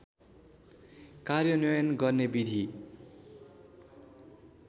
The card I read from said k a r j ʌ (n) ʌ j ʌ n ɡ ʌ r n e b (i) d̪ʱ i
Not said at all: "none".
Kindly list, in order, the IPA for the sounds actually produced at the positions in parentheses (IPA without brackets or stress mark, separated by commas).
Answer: n, i